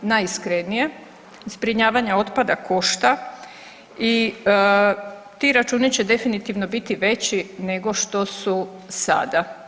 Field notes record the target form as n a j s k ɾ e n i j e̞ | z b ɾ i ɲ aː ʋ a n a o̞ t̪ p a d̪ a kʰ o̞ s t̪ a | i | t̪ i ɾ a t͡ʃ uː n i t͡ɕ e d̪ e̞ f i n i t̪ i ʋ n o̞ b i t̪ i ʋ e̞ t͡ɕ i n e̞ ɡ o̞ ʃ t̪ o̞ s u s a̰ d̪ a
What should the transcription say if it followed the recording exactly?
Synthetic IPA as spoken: n a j s k ɾ e n i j e̞ | z b ɾ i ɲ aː ʋ a ɲ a o̞ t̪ p a d̪ a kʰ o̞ ʃ t̪ a | i | t̪ i ɾ a t͡ʃ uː n i t͡ɕ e d̪ e̞ f i n i t̪ i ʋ n o̞ b i t̪ i ʋ e̞ t͡ɕ i n e̞ ɡ o̞ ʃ t̪ o̞ s u s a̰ d̪ a